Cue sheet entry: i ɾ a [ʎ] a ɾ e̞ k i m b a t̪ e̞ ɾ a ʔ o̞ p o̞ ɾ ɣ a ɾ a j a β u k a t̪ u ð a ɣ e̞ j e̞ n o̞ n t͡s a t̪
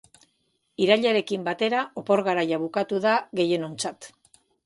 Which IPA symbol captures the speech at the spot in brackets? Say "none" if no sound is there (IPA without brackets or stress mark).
ʎ